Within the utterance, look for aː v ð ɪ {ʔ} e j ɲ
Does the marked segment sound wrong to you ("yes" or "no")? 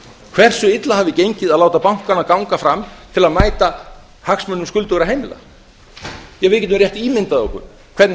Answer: yes